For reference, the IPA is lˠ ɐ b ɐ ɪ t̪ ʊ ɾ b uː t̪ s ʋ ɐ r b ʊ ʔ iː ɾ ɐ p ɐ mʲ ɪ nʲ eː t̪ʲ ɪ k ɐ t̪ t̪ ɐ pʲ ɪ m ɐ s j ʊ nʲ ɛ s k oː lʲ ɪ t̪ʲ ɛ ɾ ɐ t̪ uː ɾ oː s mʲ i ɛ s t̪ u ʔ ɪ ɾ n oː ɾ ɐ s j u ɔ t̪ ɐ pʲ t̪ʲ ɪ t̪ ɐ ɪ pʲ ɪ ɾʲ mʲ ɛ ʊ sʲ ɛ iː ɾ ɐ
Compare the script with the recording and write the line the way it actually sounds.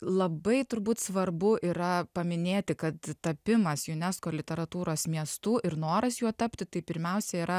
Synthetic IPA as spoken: lˠ ɐ b ɐ ɪ t̪ ʊ ɾ b uː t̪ s ʋ ɐ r b ʊ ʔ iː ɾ ɐ p ɐ mʲ ɪ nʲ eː t̪ʲ ɪ k ɐ t̪ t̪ ɐ pʲ ɪ m ɐ s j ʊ nʲ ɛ s k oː lʲ ɪ t̪ʲ ɛ ɾ ɐ t̪ uː ɾ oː s mʲ i ɛ s t̪ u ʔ ɪ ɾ n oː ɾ ɐ s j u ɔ t̪ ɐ pʲ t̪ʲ ɪ t̪ ɐ ɪ pʲ ɪ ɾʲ mʲ ɛ ʊ sʲ ɛ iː ɾ ɐ